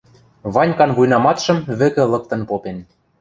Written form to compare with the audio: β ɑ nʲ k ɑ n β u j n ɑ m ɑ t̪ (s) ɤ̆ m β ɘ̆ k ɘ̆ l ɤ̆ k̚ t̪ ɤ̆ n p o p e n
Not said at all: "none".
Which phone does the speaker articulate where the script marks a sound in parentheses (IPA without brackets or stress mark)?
ʃ